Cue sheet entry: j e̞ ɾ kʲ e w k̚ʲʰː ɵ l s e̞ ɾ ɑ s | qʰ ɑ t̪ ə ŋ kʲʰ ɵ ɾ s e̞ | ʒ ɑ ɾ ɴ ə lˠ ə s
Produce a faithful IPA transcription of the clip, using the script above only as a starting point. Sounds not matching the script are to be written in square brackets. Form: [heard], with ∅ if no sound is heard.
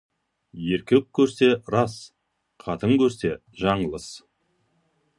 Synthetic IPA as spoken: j e̞ ɾ kʲ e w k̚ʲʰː ɵ [ɾ] s e̞ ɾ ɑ s | qʰ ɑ t̪ ə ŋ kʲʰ ɵ ɾ s e̞ | ʒ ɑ [∅] ɴ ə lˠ ə s